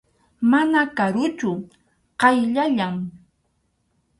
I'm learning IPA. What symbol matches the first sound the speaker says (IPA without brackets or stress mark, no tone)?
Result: m